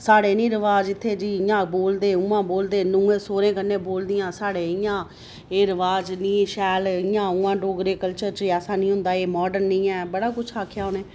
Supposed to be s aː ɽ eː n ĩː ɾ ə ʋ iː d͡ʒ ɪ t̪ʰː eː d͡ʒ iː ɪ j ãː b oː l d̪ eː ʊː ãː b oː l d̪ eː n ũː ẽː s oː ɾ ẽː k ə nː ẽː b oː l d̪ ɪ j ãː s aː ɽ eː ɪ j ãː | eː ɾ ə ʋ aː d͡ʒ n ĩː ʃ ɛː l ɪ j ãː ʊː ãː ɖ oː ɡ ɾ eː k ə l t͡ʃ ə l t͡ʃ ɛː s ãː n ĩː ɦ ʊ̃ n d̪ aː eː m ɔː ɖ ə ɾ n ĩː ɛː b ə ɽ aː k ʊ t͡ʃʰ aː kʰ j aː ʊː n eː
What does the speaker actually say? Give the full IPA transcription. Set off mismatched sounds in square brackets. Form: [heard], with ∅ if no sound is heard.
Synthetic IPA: s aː ɽ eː n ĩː ɾ ə ʋ [aː] d͡ʒ ɪ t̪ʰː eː d͡ʒ iː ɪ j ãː b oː l d̪ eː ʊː ãː b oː l d̪ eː n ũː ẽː s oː ɾ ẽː k ə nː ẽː b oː l d̪ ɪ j ãː s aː ɽ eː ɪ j ãː | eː ɾ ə ʋ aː d͡ʒ n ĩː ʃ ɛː l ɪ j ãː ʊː ãː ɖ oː ɡ ɾ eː k ə l t͡ʃ ə [ɾ] t͡ʃ ɛː s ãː n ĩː ɦ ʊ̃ n d̪ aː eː m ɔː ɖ ə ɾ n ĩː ɛː b ə ɽ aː k ʊ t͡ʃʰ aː kʰ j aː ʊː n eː